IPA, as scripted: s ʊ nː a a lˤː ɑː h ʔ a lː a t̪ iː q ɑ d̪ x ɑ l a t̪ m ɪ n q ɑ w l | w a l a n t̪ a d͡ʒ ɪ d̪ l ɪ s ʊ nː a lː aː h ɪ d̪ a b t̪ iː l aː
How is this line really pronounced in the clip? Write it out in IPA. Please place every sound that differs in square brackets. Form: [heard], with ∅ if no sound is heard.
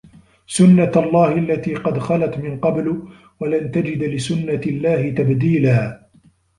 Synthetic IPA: s ʊ nː a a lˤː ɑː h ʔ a lː a t̪ iː q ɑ d̪ x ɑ l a t̪ m ɪ n q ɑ [b] l | w a l a n t̪ a d͡ʒ ɪ d̪ l ɪ s ʊ nː a lː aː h ɪ [t̪] a b [d̪] iː l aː